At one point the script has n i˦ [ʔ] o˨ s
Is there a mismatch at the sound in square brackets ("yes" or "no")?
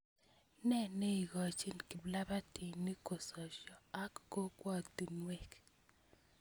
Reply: yes